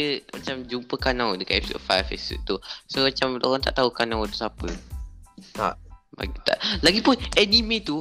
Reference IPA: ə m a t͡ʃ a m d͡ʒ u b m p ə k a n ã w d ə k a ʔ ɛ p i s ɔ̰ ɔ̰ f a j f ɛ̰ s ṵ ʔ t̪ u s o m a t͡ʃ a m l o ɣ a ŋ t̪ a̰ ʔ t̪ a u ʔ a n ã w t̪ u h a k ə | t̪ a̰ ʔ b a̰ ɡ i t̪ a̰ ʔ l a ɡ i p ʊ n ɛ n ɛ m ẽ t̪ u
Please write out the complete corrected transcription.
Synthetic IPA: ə m a t͡ʃ a m d͡ʒ u m p ə k a n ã w d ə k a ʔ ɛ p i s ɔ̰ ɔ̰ f a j f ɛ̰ s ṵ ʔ t̪ u s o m a t͡ʃ a m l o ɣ a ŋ t̪ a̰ ʔ t̪ a u k a n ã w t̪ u s a p ə | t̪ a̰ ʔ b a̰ ɡ i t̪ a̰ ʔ l a ɡ i p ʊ n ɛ n i m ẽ t̪ u